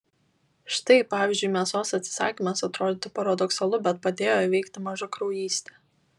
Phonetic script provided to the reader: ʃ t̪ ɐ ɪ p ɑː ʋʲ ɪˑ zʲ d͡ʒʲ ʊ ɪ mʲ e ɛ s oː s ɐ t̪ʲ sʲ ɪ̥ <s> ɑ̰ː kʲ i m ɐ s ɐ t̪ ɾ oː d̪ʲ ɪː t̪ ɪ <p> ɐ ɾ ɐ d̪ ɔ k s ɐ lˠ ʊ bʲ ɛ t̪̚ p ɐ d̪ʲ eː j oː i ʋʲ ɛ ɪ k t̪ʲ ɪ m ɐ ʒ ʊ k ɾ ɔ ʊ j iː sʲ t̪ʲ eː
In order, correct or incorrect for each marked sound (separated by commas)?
correct, correct